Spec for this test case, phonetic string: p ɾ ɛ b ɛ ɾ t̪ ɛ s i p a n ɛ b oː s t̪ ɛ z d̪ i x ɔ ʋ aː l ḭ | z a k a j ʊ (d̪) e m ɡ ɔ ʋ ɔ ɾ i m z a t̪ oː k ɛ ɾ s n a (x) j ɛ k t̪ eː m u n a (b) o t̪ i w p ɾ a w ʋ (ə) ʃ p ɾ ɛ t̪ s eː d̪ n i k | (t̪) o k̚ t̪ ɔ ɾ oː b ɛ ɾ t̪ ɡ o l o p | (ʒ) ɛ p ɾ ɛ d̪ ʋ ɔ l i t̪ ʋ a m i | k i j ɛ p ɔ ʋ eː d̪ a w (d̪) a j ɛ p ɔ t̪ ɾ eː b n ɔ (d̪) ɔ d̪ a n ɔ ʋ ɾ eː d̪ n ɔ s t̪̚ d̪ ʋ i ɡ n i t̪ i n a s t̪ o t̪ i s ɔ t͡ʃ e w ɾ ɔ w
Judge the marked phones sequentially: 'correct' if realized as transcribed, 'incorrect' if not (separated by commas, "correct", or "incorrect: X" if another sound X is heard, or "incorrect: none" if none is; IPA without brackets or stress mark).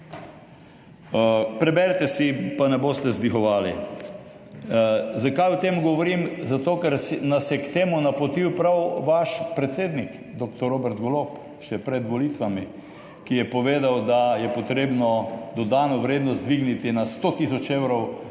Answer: incorrect: t̪, incorrect: s, incorrect: p, incorrect: a, incorrect: d̪, incorrect: ʃ, correct, correct